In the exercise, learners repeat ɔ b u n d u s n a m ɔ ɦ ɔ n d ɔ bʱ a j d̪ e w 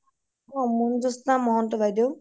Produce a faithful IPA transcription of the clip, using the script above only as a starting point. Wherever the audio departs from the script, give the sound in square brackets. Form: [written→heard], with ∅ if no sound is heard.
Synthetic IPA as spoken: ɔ [b→m] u n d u s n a m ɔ ɦ ɔ n [d→t] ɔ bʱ a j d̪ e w